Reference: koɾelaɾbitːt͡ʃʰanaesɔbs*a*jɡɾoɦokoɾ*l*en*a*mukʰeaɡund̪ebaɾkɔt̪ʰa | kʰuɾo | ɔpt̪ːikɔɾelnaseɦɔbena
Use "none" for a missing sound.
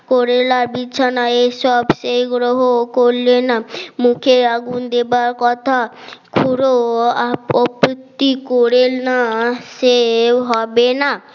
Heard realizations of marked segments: e, l, a

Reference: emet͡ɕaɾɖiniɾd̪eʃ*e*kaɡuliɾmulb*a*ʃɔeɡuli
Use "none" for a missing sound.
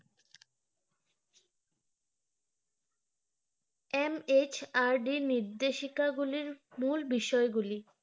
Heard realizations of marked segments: i, i

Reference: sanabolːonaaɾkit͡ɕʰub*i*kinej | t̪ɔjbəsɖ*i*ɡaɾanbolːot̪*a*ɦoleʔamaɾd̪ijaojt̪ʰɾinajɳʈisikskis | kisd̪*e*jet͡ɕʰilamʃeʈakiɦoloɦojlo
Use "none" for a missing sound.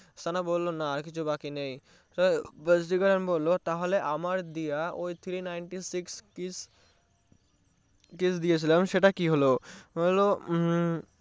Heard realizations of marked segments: a, i, a, i

